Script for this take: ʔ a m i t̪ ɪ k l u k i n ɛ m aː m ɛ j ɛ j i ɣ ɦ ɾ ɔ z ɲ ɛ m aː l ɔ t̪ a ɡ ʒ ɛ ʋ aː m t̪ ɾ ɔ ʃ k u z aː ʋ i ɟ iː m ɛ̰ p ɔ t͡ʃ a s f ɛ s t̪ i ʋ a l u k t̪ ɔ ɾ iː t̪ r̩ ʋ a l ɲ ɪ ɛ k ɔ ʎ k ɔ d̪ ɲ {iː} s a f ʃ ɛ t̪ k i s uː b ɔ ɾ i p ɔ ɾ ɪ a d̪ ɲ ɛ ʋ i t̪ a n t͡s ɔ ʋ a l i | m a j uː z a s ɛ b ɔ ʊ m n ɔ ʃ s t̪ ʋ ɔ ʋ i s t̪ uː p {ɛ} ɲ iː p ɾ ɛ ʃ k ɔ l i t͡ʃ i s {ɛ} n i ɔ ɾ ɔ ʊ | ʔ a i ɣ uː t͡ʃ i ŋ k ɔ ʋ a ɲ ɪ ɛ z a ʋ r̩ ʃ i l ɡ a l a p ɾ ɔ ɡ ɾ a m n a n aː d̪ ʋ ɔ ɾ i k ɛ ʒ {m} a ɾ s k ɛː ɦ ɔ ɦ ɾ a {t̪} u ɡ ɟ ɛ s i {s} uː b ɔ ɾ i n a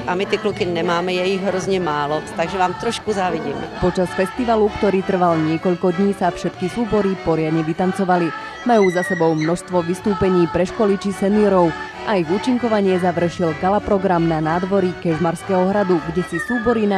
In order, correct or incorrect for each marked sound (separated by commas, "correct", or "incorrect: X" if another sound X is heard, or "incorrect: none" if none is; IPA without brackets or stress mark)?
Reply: correct, correct, correct, correct, incorrect: d̪, correct